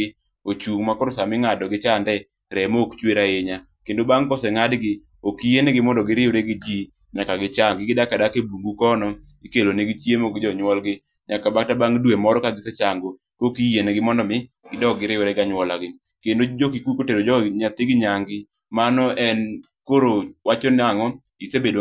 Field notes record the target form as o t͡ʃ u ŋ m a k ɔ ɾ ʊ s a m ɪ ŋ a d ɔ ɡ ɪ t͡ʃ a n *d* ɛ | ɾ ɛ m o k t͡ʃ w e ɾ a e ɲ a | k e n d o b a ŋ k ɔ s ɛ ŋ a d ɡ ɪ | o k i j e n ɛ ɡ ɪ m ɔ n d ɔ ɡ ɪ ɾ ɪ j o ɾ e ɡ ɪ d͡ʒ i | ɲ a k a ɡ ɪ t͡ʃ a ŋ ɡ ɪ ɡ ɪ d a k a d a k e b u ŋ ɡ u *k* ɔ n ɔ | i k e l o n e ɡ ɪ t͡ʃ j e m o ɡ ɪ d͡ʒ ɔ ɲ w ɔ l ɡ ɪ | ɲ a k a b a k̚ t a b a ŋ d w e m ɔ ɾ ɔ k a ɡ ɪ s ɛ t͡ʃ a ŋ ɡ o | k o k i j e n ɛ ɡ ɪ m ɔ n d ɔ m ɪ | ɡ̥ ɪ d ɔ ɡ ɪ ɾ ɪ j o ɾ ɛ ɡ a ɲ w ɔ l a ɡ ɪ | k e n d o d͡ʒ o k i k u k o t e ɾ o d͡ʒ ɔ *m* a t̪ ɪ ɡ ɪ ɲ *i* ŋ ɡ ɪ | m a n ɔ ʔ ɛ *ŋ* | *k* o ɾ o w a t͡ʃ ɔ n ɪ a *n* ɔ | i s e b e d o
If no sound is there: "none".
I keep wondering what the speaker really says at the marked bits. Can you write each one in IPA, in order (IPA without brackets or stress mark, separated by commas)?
d, k, ɲ, a, n, k, ŋ